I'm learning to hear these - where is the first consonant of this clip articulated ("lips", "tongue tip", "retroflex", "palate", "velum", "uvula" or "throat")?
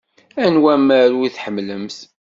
tongue tip